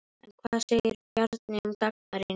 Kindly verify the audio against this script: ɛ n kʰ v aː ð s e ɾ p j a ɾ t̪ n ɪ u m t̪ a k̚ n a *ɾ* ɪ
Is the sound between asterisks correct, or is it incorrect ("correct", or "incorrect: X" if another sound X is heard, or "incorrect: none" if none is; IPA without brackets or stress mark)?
correct